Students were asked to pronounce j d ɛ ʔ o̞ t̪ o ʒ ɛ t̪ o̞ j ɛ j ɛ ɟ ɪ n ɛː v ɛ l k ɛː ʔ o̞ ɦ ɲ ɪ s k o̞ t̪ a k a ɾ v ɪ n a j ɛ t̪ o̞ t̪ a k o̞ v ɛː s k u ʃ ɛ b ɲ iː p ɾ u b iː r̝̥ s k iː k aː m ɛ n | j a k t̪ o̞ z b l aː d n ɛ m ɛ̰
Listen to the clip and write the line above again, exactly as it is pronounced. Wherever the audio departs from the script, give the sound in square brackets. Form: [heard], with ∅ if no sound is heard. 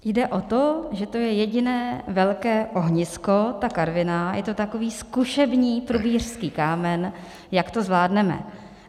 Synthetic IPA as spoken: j d ɛ ʔ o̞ t̪ o ʒ ɛ t̪ o̞ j ɛ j ɛ ɟ ɪ n ɛː v ɛ l k ɛː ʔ o̞ ɦ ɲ ɪ s k o̞ t̪ a k a ɾ v ɪ n a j ɛ t̪ o̞ t̪ a k o̞ v [iː] s k u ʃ ɛ b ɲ iː p ɾ u b iː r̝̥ s k iː k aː m ɛ n | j a k t̪ o̞ z [v] l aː d n ɛ m ɛ̰

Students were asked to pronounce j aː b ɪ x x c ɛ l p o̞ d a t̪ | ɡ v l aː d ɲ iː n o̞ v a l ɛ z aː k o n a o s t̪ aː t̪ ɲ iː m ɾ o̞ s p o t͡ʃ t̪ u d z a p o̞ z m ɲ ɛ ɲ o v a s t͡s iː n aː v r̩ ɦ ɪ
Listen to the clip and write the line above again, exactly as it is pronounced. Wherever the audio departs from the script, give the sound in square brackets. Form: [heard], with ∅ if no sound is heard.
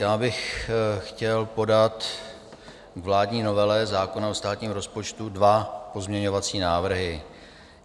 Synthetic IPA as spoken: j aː b ɪ x x c ɛ l p o̞ d a t̪ | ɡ v l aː d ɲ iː n o̞ v [ɛ] l ɛ z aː k o n a o s t̪ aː t̪ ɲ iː m ɾ o̞ s p o t͡ʃ t̪ u d [v] a p o̞ z m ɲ ɛ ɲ o v a [∅] t͡s iː n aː v r̩ ɦ ɪ

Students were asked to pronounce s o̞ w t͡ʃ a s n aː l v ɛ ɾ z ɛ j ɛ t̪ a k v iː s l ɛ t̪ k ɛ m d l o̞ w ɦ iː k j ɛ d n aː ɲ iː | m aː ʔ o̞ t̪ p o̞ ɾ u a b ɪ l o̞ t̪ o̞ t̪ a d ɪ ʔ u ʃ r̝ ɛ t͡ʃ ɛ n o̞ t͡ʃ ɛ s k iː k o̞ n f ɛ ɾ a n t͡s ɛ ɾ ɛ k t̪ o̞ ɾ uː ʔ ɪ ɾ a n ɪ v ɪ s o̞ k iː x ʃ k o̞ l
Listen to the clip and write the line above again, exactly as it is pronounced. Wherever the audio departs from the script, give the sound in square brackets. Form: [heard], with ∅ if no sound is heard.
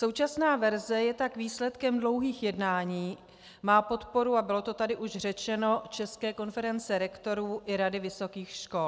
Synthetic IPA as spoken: s o̞ w t͡ʃ a s n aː [∅] v ɛ ɾ z ɛ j ɛ t̪ a k v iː s l ɛ t̪ k ɛ m d l o̞ w ɦ iː [x] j ɛ d n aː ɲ iː | m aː [p] o̞ t̪ p o̞ ɾ u a b ɪ l o̞ t̪ o̞ t̪ a d ɪ ʔ u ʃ r̝ ɛ t͡ʃ ɛ n o̞ t͡ʃ ɛ s k [ɛː] k o̞ n f ɛ ɾ [ɛ] n t͡s ɛ ɾ ɛ k t̪ o̞ ɾ uː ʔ ɪ ɾ a [d] ɪ v ɪ s o̞ k iː x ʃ k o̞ l

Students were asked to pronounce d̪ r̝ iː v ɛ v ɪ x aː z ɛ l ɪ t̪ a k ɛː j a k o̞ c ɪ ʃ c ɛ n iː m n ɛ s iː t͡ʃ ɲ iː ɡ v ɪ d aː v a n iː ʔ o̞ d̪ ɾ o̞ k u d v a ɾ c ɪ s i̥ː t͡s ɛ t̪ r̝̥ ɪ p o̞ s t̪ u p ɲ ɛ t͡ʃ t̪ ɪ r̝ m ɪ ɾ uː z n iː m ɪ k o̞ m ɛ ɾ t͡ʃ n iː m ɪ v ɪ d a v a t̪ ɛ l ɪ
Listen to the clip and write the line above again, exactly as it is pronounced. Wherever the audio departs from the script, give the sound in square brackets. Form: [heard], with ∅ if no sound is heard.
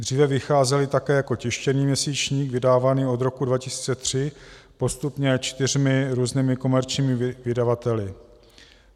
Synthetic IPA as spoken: d̪ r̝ iː v ɛ v ɪ x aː z ɛ l ɪ t̪ a k ɛː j a k o̞ c ɪ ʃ c ɛ n iː m [ɲ] ɛ s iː t͡ʃ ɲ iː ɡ v ɪ d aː v a n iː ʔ o̞ d̪ ɾ o̞ k u d v a [∅] c ɪ s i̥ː t͡s ɛ t̪ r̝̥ ɪ p o̞ s t̪ u p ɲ ɛ t͡ʃ t̪ ɪ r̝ m ɪ ɾ uː z n iː m ɪ k o̞ m ɛ ɾ t͡ʃ [ɲ] iː m ɪ v ɪ d a v a t̪ ɛ l ɪ

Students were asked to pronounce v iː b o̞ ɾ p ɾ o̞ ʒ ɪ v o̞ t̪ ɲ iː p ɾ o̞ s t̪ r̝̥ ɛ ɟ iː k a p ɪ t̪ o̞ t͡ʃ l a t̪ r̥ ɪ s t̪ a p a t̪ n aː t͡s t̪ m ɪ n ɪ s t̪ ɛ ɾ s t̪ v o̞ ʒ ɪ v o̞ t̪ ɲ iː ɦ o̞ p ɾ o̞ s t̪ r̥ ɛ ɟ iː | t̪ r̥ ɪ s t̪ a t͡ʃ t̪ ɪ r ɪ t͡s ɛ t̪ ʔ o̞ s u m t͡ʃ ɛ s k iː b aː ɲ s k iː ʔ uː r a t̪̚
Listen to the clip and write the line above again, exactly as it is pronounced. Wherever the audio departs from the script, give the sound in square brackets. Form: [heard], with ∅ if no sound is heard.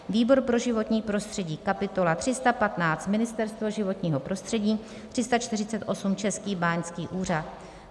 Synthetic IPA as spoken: v iː b o̞ ɾ p ɾ o̞ ʒ ɪ v o̞ t̪ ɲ iː p ɾ o̞ s t̪ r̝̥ ɛ ɟ iː k a p ɪ t̪ o̞ [∅] l a t̪ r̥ ɪ s t̪ a p a t̪ n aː t͡s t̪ m ɪ n ɪ s t̪ ɛ ɾ s t̪ v o̞ ʒ ɪ v o̞ t̪ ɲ iː ɦ o̞ p ɾ o̞ s t̪ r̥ ɛ ɟ iː | t̪ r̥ ɪ s t̪ a t͡ʃ t̪ ɪ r ɪ t͡s ɛ t̪ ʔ o̞ s u m t͡ʃ ɛ s k iː b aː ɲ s k iː ʔ uː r a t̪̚

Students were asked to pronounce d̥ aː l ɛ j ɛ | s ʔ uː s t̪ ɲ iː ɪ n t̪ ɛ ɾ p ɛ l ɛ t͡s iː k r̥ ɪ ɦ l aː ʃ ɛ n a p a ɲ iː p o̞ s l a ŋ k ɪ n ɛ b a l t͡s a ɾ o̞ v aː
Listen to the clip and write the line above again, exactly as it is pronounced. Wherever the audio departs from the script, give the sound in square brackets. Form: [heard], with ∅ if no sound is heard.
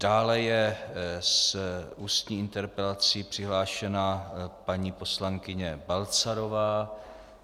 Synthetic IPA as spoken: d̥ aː l ɛ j ɛ | s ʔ uː s t̪ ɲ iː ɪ n t̪ ɛ ɾ p ɛ l [a] t͡s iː [p] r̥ ɪ ɦ l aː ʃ ɛ n a p a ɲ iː p o̞ s l a ŋ k ɪ [ɲ] ɛ b a l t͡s a ɾ o̞ v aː

